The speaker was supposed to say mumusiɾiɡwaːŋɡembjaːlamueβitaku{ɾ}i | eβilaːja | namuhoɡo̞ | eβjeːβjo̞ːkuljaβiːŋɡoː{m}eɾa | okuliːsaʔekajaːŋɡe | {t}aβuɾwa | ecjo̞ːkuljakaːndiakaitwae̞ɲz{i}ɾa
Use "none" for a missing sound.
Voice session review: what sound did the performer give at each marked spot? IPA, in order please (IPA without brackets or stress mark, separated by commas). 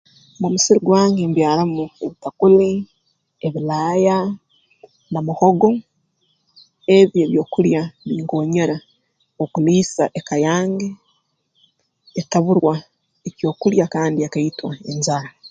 l, ɲ, t, a